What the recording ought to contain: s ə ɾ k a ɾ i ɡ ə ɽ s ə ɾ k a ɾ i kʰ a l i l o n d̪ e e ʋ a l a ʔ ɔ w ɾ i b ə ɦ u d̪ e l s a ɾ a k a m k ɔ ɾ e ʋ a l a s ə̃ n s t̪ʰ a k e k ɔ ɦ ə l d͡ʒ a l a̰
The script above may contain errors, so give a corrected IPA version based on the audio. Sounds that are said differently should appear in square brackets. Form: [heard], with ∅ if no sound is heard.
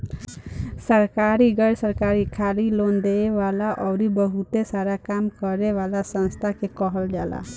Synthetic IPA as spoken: s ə ɾ k a ɾ i ɡ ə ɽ s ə ɾ k a ɾ i kʰ a l i l o n d̪ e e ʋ a l a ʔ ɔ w ɾ i b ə ɦ u [t̪] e [∅] s a ɾ a k a m k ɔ ɾ e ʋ a l a s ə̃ n s t̪ʰ a k e k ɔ ɦ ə l d͡ʒ a l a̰